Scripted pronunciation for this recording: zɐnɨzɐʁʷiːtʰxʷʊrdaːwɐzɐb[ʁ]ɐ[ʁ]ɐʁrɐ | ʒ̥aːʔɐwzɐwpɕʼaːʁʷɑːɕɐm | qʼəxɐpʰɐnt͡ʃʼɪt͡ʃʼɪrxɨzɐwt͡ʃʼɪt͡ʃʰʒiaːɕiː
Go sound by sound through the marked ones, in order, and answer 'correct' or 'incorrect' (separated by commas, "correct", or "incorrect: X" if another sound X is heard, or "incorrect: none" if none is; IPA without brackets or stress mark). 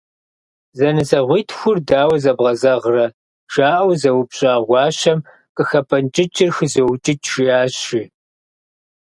correct, incorrect: z